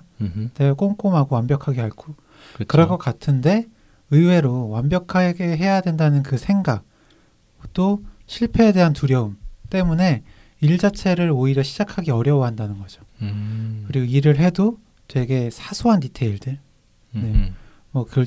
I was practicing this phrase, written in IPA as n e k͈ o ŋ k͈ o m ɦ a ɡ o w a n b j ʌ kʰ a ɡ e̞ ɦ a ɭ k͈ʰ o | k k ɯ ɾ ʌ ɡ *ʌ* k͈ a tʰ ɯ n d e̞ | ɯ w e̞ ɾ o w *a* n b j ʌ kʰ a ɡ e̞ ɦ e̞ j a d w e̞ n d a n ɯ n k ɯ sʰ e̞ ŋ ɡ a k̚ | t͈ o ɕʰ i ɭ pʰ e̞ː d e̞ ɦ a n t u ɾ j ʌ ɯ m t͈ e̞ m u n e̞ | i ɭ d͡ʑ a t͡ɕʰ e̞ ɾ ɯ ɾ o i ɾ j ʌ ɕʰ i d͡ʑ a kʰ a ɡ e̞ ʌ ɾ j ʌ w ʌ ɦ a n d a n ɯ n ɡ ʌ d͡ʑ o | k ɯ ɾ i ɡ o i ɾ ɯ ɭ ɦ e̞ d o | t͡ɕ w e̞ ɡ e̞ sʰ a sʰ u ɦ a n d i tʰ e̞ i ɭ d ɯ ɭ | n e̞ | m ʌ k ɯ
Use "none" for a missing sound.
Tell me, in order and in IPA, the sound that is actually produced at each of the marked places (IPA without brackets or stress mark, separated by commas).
ʌ, a